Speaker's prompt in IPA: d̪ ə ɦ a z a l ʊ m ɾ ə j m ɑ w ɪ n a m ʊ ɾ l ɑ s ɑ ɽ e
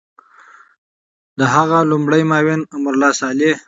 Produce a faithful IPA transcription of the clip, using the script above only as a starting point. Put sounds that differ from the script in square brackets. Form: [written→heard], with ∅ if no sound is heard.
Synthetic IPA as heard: d̪ ə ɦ a [z→ɣ] a l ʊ m [ɾ→ɽ] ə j m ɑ w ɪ n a m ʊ ɾ l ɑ s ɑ [ɽ→l] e